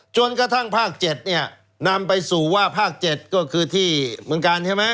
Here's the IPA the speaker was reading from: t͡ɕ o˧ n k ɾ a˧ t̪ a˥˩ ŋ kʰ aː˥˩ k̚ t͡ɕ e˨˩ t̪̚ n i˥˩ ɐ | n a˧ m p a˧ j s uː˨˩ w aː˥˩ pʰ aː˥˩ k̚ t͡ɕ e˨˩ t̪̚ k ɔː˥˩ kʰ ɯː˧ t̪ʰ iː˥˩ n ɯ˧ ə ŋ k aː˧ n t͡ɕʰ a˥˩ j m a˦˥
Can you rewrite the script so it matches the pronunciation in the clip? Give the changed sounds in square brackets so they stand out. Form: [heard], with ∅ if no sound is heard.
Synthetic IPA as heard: t͡ɕ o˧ n k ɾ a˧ [t̪ʰ] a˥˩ ŋ [pʰ] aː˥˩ k̚ t͡ɕ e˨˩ t̪̚ n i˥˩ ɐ | n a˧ m p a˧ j s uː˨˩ w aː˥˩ pʰ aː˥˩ k̚ t͡ɕ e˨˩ t̪̚ k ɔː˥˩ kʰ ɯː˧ t̪ʰ iː˥˩ [m] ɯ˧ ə ŋ k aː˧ n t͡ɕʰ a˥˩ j m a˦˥